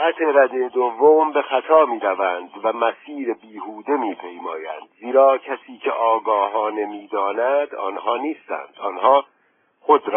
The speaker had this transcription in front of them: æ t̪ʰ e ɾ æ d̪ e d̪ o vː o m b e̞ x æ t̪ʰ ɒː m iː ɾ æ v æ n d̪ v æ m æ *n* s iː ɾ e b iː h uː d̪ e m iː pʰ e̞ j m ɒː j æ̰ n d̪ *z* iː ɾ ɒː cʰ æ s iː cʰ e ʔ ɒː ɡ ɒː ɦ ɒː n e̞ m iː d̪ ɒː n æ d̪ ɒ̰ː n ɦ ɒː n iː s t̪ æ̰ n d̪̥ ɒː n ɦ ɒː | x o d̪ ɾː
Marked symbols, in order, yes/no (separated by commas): no, yes